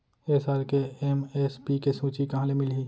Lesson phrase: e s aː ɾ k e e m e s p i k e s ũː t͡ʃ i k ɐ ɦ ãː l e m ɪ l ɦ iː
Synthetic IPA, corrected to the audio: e s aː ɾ k e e m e s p i k e s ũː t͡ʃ i k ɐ ɦ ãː l e m ɪ l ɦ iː